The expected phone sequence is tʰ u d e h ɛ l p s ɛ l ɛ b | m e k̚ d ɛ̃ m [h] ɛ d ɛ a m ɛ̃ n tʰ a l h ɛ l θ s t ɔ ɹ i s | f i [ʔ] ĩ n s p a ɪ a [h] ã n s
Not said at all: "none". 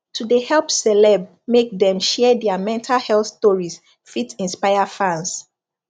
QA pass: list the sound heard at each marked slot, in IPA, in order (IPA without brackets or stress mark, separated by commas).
ʃ, t, f